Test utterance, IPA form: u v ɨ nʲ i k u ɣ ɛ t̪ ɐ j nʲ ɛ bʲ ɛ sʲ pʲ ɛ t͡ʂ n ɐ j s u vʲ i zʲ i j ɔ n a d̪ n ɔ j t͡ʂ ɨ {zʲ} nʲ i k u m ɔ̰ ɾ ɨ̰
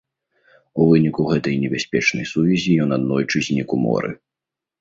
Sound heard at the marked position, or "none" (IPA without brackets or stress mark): zʲ